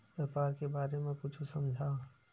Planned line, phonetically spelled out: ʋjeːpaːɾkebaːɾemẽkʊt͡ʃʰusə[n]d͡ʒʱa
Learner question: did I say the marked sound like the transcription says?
no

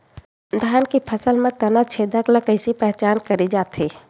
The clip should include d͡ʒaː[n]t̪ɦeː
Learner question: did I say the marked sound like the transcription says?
no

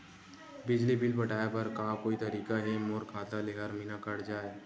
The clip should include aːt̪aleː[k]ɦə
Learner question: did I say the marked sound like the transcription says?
no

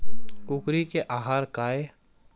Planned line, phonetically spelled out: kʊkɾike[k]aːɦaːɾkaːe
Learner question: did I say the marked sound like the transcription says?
no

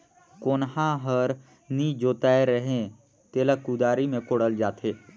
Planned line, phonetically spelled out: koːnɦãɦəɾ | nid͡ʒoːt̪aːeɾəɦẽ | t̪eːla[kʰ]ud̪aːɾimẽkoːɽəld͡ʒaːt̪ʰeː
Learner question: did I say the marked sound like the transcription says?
no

